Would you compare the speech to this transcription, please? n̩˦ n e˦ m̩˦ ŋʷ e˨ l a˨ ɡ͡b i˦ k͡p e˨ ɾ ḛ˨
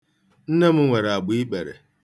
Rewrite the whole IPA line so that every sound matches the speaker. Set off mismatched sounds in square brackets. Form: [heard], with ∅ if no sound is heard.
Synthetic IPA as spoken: n̩˦ n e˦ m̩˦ ŋʷ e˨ [ɾ] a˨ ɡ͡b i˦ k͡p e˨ ɾ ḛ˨